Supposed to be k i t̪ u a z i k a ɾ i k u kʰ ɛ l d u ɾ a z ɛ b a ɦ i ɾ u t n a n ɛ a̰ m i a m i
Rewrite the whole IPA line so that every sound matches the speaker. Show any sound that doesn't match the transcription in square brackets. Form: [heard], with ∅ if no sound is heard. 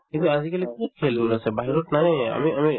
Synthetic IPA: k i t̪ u a z i k a [l] i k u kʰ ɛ l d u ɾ a [s] ɛ b a ɦ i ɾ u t n a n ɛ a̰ m i a m i